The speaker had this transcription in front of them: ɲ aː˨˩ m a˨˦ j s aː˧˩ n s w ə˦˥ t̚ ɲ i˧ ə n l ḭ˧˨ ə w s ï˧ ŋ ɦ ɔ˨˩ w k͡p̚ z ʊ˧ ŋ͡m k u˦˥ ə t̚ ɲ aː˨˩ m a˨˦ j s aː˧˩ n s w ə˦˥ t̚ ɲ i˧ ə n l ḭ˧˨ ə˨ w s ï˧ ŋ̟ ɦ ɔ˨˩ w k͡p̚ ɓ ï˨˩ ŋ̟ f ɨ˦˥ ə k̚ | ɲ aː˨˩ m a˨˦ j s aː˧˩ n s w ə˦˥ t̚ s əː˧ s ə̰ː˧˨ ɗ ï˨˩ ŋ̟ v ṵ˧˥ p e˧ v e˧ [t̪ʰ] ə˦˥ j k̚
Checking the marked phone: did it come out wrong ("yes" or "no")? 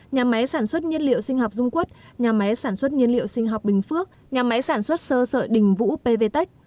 yes